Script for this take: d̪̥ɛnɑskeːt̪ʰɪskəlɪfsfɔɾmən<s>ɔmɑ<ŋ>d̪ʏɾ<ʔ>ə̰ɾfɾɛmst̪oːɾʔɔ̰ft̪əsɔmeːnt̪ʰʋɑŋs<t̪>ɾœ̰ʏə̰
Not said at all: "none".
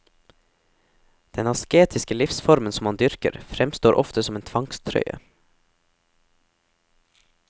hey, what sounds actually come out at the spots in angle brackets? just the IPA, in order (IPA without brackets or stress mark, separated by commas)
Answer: s, n, k, t̪ʰ